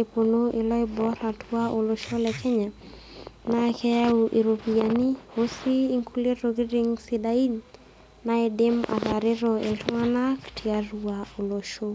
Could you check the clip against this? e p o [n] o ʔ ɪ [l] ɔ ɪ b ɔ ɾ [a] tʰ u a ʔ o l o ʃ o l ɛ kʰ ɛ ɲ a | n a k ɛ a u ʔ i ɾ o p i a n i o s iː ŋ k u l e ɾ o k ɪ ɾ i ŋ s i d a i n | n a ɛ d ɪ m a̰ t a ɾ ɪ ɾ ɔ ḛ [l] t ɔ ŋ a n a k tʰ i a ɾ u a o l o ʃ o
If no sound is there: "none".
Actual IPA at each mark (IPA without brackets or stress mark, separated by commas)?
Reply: n, l, a, l